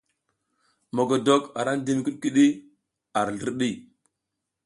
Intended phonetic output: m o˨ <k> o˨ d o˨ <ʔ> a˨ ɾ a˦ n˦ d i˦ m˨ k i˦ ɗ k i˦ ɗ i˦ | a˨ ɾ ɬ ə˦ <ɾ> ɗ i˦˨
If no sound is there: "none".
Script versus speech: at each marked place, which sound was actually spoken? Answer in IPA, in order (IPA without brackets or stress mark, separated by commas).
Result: ɡ, k, ɾ